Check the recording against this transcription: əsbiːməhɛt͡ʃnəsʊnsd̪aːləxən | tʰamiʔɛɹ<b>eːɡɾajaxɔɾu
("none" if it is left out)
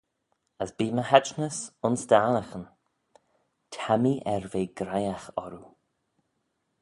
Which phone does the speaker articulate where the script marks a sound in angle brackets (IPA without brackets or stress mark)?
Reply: v